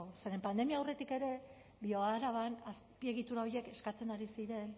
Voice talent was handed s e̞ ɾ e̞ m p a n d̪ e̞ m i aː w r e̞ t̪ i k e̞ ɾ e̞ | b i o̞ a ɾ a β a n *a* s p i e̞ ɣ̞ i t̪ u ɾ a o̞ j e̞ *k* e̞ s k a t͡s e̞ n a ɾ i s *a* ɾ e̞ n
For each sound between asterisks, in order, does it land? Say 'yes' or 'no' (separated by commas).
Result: yes, yes, no